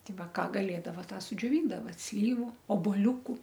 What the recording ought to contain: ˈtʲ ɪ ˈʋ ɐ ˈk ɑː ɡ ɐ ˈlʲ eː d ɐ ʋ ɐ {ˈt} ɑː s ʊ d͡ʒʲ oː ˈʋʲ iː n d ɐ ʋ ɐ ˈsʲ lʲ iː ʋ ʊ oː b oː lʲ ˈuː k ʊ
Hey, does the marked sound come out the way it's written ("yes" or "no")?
yes